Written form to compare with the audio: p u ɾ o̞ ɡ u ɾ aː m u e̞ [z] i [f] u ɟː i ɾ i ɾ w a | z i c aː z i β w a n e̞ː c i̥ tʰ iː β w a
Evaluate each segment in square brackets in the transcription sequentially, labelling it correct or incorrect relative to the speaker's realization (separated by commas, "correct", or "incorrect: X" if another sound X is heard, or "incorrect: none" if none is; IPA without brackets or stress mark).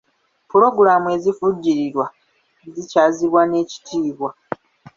correct, correct